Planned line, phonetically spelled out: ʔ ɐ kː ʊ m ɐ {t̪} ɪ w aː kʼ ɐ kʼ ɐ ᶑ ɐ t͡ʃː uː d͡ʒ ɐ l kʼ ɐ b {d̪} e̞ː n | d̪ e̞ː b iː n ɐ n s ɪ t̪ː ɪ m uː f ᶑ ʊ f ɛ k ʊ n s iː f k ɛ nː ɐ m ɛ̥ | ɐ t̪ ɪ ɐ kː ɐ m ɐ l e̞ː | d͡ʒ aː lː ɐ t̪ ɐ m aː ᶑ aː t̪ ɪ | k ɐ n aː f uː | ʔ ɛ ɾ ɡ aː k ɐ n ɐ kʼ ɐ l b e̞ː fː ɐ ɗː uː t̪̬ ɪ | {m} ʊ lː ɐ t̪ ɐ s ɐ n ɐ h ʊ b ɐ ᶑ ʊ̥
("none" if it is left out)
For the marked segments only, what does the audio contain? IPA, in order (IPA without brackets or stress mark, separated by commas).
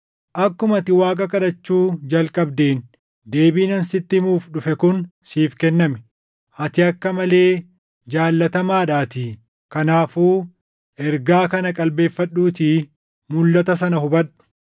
t̪, d̪, m